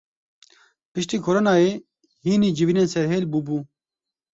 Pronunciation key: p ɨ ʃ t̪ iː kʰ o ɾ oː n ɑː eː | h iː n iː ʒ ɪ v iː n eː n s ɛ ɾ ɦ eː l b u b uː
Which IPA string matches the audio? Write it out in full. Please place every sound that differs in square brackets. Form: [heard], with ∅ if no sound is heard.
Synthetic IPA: p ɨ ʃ t̪ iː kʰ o ɾ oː n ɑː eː | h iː n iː [d͡ʒ] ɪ v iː n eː n s ɛ ɾ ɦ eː l b u b uː